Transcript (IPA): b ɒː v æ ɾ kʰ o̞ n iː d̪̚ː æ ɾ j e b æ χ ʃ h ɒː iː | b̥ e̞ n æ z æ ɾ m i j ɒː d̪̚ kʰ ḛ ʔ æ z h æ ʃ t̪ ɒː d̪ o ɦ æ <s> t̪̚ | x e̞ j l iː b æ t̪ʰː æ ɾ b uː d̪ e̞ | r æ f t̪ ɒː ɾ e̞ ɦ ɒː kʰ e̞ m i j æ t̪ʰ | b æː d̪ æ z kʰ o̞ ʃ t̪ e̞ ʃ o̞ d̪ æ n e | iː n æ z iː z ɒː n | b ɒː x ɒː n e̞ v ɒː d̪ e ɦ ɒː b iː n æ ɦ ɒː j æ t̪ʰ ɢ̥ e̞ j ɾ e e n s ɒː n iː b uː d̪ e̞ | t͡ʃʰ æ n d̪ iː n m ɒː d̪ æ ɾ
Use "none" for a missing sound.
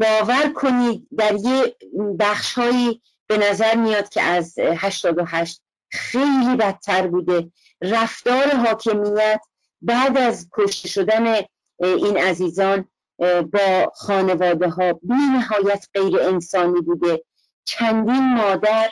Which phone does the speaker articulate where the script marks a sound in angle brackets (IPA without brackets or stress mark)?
ʃ